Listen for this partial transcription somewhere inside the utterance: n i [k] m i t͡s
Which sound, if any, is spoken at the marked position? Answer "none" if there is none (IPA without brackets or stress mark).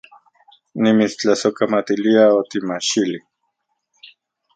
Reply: none